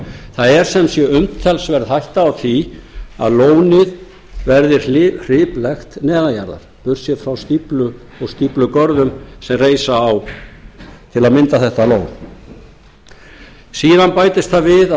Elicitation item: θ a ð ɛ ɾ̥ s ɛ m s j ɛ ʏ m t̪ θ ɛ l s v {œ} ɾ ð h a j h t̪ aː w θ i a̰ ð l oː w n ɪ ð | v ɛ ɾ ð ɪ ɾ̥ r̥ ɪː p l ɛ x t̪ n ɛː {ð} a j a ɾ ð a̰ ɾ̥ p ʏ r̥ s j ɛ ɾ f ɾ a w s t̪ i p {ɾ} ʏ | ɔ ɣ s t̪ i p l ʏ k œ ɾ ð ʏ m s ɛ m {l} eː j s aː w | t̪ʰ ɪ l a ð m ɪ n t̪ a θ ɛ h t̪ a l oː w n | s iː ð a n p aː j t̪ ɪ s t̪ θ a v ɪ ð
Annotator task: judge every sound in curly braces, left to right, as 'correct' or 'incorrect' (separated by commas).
incorrect, correct, incorrect, incorrect